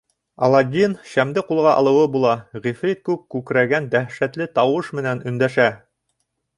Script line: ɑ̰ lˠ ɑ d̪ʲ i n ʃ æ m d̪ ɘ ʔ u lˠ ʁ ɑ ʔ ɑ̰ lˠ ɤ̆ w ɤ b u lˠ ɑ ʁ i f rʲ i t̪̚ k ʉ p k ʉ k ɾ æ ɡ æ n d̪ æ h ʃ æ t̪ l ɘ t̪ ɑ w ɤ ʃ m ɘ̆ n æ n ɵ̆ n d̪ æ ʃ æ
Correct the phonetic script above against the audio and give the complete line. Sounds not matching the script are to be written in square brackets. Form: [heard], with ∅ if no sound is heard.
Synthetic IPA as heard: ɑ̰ lˠ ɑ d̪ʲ i n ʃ æ m d̪ ɘ [q] u lˠ ʁ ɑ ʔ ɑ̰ lˠ ɤ̆ w ɤ b u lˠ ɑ ʁ i f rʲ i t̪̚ k ʉ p k ʉ k ɾ æ ɡ æ n d̪ æ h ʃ æ t̪ l ɘ t̪ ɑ w ɤ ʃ m ɘ̆ n æ n ɵ̆ n d̪ æ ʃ æ